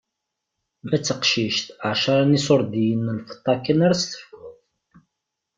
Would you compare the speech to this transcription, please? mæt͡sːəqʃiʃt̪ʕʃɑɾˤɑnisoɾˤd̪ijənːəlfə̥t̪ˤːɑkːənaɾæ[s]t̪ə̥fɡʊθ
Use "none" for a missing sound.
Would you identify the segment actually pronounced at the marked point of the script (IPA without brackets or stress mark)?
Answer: s